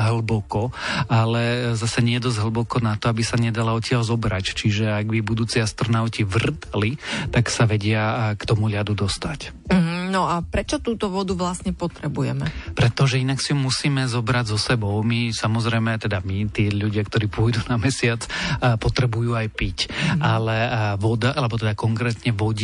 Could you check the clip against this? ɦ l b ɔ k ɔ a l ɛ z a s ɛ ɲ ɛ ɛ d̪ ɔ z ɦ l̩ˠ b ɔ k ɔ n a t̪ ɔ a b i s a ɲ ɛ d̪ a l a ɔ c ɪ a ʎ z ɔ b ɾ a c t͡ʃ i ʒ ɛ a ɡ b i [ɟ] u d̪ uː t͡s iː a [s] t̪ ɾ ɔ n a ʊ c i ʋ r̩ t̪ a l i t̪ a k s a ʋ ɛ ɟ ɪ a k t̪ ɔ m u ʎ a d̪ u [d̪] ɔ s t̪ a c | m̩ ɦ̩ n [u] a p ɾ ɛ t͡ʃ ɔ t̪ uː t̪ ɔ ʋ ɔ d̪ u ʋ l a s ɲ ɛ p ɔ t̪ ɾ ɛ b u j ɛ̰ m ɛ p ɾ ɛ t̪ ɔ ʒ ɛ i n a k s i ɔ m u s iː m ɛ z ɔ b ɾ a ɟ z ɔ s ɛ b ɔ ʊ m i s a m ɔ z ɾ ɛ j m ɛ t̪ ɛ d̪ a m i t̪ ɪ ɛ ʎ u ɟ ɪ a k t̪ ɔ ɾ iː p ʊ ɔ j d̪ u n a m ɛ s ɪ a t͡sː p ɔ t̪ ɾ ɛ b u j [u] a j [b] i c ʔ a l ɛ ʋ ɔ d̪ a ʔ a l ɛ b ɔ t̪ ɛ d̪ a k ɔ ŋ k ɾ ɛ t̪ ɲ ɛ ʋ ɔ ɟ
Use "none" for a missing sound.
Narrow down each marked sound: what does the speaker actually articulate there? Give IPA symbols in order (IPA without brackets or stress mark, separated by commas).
b, s, d̪, ɔ, uː, p